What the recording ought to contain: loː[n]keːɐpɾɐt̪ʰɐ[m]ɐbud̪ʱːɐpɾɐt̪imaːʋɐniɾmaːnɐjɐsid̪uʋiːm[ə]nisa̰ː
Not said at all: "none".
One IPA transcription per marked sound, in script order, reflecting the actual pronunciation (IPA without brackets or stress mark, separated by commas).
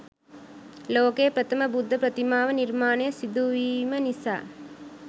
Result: none, m, ɐ